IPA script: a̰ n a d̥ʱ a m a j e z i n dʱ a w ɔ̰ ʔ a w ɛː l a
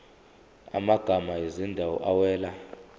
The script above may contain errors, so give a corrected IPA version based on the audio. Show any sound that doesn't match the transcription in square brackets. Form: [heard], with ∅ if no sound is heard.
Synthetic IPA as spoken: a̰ [m] a [ɡ̥ʱ] a m a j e z i n dʱ a w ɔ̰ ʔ a w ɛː l a